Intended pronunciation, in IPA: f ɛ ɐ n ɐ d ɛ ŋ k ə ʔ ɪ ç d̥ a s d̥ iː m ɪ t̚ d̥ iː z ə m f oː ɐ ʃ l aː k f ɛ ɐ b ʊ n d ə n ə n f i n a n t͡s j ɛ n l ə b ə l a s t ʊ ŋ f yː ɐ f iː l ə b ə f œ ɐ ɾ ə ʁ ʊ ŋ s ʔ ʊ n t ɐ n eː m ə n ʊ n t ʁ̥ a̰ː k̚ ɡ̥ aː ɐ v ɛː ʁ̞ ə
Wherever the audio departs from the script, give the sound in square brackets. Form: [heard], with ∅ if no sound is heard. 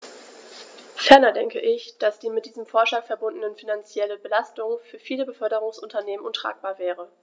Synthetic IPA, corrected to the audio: f ɛ ɐ n ɐ d ɛ ŋ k ə ʔ ɪ ç d̥ a s d̥ iː m ɪ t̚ d̥ iː z ə m f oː ɐ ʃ l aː k f ɛ ɐ b ʊ n d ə n ə n f i n a n t͡s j ɛ [∅] l ə b ə l a s t ʊ ŋ f yː ɐ f iː l ə b ə f œ ɐ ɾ ə ʁ ʊ ŋ s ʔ ʊ n t ɐ n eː m ə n ʊ n t ʁ̥ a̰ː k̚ [b̥] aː ɐ v ɛː ʁ̞ ə